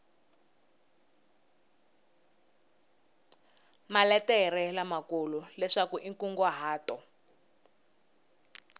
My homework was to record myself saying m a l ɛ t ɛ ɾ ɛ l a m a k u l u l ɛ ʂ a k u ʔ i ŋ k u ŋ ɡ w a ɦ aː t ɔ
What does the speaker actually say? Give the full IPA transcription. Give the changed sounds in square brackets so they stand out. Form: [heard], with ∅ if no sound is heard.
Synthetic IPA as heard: m a l ɛ t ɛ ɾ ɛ l a m a k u l u l ɛ ʂ a k u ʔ i ŋ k u ŋ ɡ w a ɦ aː t ɔ